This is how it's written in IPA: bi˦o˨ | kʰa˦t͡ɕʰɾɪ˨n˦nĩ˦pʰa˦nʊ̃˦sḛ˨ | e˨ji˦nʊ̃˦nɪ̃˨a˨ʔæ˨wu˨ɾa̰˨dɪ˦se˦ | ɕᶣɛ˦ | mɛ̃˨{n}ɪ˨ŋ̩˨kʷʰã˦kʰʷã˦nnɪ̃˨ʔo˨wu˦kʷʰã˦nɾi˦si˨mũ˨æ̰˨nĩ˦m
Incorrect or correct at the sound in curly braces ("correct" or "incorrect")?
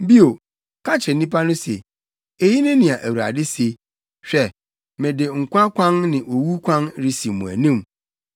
incorrect